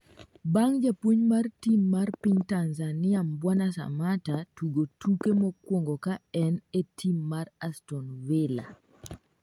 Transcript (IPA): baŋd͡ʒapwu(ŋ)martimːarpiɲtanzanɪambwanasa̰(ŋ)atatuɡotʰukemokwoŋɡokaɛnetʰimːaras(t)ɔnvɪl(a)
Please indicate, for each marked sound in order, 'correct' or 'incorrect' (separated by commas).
incorrect, incorrect, correct, correct